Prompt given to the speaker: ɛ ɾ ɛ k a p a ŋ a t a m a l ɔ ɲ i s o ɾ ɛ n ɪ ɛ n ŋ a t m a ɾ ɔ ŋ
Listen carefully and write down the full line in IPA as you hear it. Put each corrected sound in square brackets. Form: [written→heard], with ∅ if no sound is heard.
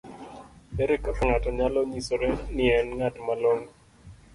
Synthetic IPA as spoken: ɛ ɾ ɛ k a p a ŋ a t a [m→ɲ] a l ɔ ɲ i s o ɾ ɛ n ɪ ɛ n ŋ a t m a [ɾ→l] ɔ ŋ